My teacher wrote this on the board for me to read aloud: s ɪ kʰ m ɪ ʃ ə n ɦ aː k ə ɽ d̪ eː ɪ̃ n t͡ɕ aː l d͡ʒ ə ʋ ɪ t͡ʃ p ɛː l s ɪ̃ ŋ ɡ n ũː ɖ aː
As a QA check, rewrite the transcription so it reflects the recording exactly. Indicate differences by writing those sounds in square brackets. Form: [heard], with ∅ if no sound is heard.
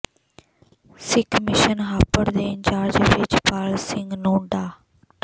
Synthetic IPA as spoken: s ɪ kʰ m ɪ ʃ ə n ɦ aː [p] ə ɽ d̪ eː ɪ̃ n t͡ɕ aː [ɾ] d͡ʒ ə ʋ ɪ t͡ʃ p [aː] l s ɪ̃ ŋ ɡ n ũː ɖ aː

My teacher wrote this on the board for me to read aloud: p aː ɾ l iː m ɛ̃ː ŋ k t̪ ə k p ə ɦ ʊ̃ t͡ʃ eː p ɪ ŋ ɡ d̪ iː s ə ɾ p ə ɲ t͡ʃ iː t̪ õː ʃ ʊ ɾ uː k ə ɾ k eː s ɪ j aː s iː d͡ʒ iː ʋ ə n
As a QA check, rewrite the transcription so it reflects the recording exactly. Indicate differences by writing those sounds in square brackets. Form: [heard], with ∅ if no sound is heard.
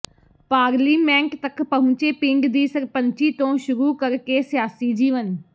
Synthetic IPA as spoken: p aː ɾ l iː m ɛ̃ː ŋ k t̪ ə k p ə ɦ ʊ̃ t͡ʃ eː p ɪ ŋ ɡ d̪ iː s ə ɾ p ə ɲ t͡ʃ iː t̪ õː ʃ ʊ ɾ uː k ə ɾ k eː s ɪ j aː s iː d͡ʒ iː ʋ ə n

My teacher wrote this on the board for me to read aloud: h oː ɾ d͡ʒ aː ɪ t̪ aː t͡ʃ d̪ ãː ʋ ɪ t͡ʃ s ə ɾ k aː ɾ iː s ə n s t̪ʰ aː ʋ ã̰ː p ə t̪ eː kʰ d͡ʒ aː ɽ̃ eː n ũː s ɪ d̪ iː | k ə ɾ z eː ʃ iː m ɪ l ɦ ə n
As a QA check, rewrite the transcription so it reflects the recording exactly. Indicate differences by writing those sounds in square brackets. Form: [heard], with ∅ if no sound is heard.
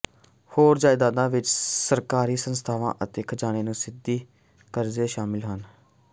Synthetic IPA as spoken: h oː ɾ d͡ʒ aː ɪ [d̪] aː [∅] d̪ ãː ʋ ɪ t͡ʃ s ə ɾ k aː ɾ iː s ə n s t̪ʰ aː ʋ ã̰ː [ʔ] ə t̪ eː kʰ d͡ʒ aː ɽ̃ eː n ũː s ɪ d̪ iː | k ə ɾ z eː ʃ [aː] m ɪ l ɦ ə n

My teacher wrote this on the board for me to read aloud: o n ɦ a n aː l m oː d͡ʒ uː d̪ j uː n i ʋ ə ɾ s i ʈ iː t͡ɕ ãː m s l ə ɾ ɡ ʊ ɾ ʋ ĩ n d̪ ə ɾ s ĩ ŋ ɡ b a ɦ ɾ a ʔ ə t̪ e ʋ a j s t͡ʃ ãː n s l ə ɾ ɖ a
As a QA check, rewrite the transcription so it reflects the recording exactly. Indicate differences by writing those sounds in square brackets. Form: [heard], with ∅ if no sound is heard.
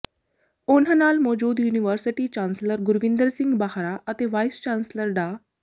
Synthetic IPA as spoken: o n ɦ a n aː l m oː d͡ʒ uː d̪ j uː n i ʋ ə ɾ s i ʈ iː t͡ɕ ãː [n] s l ə ɾ ɡ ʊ ɾ ʋ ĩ n d̪ ə ɾ s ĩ ŋ ɡ b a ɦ ɾ a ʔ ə t̪ e ʋ a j s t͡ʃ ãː n s l ə ɾ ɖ a

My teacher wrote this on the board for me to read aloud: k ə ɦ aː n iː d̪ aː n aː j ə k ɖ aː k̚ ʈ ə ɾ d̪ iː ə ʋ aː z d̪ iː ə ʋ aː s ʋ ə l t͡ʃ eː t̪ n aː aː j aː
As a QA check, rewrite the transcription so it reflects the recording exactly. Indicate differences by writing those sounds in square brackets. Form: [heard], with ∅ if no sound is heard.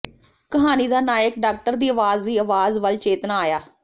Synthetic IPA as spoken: k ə ɦ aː n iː d̪ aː n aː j ə k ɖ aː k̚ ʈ ə ɾ d̪ iː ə ʋ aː z d̪ iː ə ʋ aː [z] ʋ ə l t͡ʃ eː t̪ n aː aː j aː

